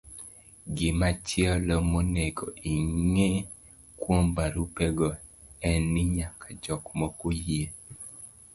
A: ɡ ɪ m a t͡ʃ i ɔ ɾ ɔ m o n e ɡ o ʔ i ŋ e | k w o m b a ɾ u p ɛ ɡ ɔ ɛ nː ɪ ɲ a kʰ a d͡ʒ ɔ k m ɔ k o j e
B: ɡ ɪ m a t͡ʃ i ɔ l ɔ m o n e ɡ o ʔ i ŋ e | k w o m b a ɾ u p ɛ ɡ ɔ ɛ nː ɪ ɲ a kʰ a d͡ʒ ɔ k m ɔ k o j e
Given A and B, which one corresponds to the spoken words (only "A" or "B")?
B